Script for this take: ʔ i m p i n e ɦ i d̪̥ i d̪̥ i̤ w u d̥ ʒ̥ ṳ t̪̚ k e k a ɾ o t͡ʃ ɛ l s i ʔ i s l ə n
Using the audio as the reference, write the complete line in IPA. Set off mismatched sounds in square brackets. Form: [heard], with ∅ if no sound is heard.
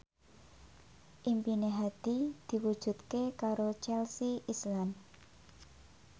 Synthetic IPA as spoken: ʔ i m p i n e ɦ [a] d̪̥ i d̪̥ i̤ w u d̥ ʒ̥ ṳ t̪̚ k e k a ɾ o t͡ʃ ɛ l s i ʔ i s l [a] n